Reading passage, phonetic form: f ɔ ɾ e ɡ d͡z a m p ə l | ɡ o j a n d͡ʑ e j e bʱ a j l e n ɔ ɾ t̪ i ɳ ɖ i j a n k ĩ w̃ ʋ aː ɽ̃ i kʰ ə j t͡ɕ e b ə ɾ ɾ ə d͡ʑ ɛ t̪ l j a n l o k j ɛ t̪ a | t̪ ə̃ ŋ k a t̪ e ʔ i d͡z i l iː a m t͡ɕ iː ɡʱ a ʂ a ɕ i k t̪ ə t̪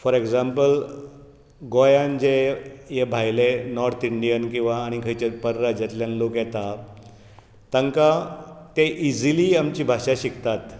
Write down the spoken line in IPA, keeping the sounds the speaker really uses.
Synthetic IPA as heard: f ɔ ɾ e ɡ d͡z a m p ə l | ɡ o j a n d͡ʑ e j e bʱ a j l e n ɔ ɾ t̪ i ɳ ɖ i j ə n k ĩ w̃ ʋ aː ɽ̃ i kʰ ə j t͡ɕ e p ə ɾ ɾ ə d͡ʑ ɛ t̪ l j a n l o k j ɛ t̪ a | t̪ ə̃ ŋ k a t̪ e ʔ i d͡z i l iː a m t͡ɕ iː bʱ a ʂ a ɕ i k t̪ a t̪